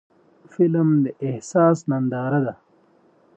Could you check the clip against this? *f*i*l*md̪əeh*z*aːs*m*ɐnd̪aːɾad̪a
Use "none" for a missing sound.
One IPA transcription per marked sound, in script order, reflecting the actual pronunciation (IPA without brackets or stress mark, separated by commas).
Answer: f, l, s, n